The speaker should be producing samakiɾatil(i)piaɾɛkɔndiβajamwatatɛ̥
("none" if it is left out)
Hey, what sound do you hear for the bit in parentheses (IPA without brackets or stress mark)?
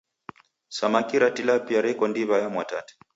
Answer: a